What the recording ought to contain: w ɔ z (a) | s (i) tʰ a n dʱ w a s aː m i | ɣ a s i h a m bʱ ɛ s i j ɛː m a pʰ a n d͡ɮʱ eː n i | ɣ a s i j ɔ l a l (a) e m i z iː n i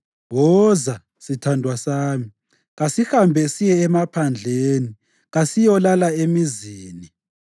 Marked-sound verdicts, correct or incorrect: correct, correct, correct

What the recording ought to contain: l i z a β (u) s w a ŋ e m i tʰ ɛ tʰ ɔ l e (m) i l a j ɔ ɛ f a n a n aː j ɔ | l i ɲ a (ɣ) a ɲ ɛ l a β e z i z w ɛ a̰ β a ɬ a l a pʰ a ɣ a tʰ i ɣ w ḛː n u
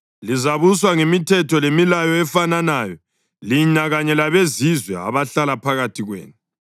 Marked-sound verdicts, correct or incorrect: correct, correct, correct

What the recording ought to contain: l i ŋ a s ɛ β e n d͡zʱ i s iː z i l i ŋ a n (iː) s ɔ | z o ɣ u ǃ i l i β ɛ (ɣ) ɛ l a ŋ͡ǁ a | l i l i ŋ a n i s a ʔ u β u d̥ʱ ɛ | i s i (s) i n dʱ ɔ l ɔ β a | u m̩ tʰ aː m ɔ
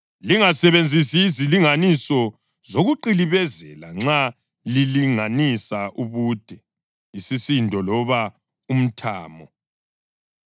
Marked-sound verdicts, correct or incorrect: incorrect, incorrect, correct

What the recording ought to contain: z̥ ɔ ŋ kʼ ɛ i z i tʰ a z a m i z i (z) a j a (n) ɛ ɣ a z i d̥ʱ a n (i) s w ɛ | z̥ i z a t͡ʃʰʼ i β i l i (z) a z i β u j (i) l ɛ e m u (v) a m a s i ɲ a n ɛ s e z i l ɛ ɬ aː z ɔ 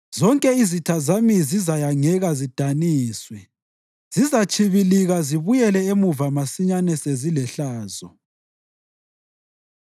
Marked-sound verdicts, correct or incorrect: correct, incorrect, incorrect, incorrect, incorrect, correct

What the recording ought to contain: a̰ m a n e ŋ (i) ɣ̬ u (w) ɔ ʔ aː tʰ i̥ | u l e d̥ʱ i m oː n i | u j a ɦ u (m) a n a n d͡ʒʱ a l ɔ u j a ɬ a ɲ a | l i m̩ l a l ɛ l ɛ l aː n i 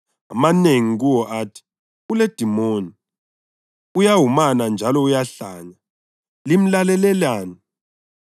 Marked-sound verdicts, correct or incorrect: correct, correct, correct

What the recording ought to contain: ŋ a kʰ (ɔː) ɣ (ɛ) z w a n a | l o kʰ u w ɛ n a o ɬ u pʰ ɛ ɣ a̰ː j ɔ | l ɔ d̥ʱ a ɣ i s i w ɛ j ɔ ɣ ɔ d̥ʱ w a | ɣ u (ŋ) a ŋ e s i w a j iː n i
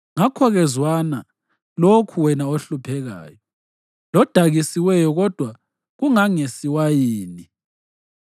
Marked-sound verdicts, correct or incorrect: incorrect, correct, correct

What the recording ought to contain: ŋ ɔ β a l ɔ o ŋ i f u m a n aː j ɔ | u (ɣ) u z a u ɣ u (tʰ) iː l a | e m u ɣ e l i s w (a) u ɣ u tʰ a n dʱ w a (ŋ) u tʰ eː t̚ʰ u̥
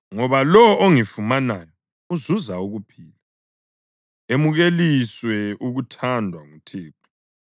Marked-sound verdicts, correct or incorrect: incorrect, incorrect, incorrect, correct

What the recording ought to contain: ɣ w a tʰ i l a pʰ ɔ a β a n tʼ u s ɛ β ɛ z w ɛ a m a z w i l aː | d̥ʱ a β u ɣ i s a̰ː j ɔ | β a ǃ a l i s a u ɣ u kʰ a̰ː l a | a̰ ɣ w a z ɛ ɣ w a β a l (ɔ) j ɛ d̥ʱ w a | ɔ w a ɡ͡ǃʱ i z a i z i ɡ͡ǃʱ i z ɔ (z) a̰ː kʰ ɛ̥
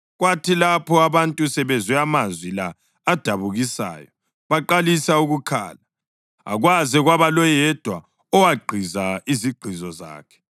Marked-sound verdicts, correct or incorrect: correct, correct

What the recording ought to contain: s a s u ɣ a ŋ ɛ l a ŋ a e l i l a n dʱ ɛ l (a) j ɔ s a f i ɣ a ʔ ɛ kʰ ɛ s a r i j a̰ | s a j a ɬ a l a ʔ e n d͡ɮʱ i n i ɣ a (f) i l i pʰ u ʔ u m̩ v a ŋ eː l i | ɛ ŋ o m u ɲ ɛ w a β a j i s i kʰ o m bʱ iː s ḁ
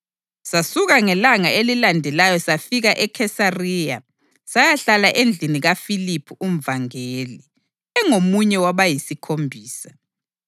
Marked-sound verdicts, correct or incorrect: correct, correct

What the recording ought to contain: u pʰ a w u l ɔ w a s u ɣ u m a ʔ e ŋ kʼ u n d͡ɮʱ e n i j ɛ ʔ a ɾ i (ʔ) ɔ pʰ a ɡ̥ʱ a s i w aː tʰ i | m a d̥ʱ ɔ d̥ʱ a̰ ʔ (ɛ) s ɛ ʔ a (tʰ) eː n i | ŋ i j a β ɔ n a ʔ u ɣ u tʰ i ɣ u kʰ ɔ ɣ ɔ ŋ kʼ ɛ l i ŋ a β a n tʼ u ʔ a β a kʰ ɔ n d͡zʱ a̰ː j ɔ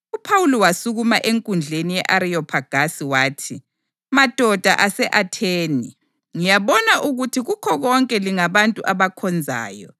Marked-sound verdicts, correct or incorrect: incorrect, incorrect, correct

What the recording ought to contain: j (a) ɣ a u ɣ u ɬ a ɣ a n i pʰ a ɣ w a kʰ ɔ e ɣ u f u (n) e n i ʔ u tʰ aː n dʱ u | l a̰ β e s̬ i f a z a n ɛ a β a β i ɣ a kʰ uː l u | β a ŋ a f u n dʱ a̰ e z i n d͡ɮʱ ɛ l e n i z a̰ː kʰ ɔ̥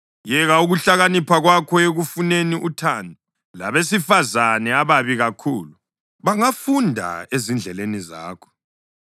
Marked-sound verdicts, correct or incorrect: incorrect, correct

